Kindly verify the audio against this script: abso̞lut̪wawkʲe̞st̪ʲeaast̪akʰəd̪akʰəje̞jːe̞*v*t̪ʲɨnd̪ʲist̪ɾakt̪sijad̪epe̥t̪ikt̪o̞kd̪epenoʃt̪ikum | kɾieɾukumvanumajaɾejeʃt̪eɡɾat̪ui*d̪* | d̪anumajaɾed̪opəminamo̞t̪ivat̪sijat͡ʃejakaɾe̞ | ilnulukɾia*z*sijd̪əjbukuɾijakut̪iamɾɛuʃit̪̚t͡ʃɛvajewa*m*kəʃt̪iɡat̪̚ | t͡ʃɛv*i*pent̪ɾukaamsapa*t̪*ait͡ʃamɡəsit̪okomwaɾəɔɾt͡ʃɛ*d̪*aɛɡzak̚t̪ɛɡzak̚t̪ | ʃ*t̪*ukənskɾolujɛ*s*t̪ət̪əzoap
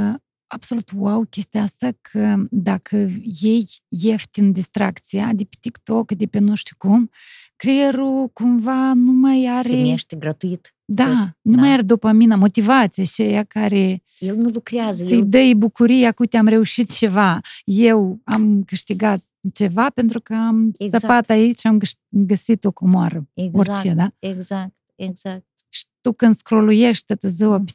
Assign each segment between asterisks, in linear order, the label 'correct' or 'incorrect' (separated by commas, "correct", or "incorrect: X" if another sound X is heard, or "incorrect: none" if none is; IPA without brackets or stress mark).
incorrect: f, incorrect: t̪, correct, correct, incorrect: a, correct, correct, correct, incorrect: ʃ